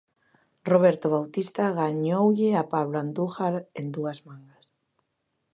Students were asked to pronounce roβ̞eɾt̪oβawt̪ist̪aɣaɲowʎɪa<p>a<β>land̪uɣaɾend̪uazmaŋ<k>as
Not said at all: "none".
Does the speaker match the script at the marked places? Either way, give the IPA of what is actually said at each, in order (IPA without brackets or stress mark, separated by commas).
p, β, ɡ